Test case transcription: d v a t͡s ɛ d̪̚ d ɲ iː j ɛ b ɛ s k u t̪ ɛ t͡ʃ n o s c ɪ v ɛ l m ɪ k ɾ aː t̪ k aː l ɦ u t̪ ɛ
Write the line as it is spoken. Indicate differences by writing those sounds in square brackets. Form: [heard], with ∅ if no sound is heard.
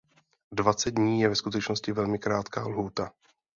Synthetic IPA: d v a t͡s ɛ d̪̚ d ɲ iː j ɛ [v] ɛ s k u t̪ ɛ t͡ʃ n o s c ɪ v ɛ l m ɪ k ɾ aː t̪ k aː l ɦ [uː] t̪ [a]